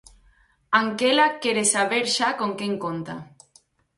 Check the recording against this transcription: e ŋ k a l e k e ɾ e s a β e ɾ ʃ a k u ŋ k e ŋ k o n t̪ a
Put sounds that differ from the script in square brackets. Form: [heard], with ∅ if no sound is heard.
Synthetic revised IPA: [a] ŋ k [e] l [a] k e ɾ e s a β e ɾ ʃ a k [o] ŋ k e ŋ k o n t̪ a